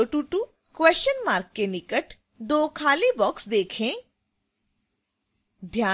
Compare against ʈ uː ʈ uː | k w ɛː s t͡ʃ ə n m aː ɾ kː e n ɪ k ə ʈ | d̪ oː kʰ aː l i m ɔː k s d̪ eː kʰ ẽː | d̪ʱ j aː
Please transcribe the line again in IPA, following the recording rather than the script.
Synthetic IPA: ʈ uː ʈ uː | k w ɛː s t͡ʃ ə n m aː ɾ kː e n ɪ k ə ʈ | d̪ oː kʰ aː l i b ɔː k s d̪ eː kʰ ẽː | d̪ʱ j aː